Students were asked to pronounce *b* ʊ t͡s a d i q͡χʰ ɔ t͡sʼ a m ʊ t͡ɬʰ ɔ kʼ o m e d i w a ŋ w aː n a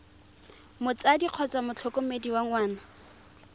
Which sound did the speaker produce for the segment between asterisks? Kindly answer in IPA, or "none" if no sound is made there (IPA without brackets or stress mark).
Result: m